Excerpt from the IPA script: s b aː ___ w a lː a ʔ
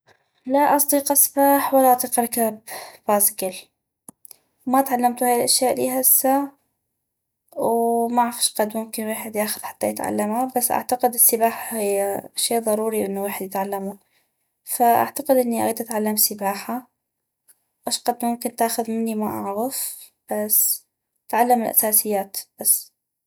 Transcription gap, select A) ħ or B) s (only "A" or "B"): A